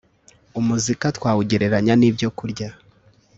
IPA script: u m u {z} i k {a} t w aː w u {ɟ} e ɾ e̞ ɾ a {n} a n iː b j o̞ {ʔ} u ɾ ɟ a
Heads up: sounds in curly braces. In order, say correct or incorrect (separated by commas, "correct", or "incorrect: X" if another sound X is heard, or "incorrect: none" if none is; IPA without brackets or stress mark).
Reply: correct, correct, correct, incorrect: ɲ, incorrect: k